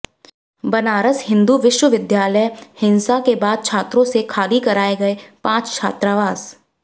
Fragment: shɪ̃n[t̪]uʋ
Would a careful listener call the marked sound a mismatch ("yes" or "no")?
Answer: yes